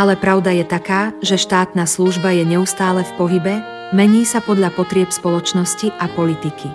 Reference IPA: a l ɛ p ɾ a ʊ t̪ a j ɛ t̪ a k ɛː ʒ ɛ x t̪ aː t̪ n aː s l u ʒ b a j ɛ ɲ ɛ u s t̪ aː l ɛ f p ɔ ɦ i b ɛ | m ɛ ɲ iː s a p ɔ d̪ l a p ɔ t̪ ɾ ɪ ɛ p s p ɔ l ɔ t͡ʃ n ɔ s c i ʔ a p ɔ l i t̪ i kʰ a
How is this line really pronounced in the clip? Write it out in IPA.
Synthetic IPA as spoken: a l ɛ p ɾ a ʊ d̪ a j ɛ t̪ a k aː ʒ ɛ ʃ t̪ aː t̪ n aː s l u ʒ b a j ɛ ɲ ɛ u s t̪ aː l ɛ f p ɔ ɦ i b ɛ | m ɛ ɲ iː s a p ɔ d̪ ʎ a p ɔ t̪ ɾ ɪ ɛ p s p ɔ l ɔ t͡ʃ n ɔ s c i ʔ a p ɔ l i t̪ i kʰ i